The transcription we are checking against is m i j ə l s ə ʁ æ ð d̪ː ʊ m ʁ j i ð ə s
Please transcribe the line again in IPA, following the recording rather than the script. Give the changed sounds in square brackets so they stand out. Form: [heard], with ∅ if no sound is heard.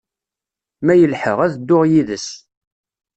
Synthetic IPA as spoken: m [æ] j ə l [ħ] ə ʁ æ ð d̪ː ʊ [∅] ʁ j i ð ə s

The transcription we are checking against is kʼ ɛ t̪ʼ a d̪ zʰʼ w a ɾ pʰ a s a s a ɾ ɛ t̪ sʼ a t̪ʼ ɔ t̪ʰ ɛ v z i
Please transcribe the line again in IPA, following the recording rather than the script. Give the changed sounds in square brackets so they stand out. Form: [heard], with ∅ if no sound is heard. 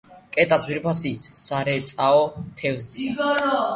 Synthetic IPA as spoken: kʼ ɛ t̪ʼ a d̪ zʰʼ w [i] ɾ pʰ a s [i] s a ɾ ɛ t̪ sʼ a [∅] ɔ t̪ʰ ɛ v z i

